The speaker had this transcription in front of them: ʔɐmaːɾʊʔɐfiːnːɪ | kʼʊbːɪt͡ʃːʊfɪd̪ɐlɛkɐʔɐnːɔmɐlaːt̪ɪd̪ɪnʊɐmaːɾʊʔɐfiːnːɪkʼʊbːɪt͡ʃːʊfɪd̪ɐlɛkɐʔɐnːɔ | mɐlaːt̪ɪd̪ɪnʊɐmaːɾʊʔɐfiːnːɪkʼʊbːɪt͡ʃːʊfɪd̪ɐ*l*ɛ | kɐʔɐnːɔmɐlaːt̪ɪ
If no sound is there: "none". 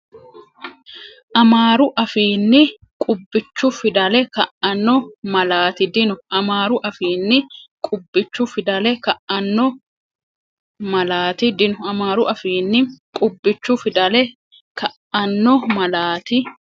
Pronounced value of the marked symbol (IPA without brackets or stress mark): l